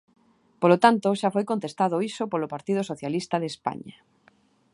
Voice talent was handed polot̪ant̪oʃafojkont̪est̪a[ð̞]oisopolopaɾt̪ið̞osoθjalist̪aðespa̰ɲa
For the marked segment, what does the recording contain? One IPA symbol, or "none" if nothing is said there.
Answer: ð̞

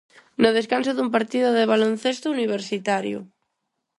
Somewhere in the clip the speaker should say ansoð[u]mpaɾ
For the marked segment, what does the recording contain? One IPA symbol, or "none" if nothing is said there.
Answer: u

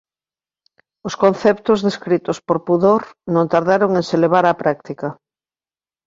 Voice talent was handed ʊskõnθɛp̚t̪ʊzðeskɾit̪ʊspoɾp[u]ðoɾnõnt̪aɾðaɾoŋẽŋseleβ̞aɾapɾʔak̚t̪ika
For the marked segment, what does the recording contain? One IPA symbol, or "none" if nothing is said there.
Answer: u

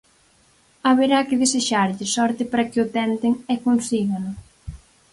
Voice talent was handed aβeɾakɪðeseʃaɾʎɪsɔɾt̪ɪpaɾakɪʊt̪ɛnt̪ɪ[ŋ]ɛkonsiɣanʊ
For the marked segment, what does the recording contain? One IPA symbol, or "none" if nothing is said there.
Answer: ŋ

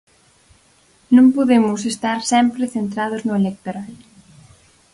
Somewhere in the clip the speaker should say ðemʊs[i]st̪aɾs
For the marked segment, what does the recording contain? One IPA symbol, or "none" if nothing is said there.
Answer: e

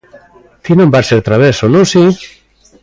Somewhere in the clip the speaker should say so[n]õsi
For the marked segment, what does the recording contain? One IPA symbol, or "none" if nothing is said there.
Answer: n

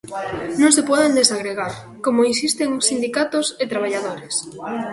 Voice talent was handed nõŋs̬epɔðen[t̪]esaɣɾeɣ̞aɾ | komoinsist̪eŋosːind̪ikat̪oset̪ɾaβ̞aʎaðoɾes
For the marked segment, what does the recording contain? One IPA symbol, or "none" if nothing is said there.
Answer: d̪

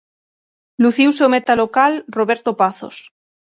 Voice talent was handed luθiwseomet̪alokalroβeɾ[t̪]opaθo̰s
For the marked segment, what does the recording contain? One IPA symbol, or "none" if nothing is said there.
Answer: t̪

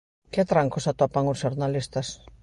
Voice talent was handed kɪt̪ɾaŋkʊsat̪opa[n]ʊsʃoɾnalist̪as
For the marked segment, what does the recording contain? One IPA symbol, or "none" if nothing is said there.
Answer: ŋ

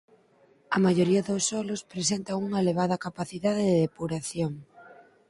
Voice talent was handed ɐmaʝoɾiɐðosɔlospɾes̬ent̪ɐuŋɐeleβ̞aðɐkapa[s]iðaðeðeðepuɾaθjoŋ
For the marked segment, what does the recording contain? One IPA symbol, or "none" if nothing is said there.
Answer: θ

